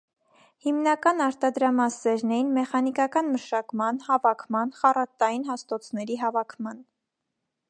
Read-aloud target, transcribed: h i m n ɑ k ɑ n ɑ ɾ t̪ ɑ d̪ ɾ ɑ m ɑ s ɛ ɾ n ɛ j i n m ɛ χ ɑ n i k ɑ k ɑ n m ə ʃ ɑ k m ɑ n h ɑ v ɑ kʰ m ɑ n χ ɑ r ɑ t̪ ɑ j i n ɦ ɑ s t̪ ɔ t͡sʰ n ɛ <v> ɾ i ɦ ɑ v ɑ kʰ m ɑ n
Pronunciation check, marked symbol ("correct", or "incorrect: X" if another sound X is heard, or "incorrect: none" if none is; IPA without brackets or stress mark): incorrect: none